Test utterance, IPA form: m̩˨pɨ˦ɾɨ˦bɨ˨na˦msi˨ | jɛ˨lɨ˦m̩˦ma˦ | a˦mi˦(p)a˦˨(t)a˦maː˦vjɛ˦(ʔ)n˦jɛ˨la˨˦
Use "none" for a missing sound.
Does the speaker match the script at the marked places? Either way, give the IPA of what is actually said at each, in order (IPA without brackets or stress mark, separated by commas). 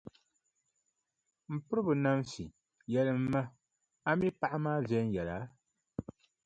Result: p, ʔ, none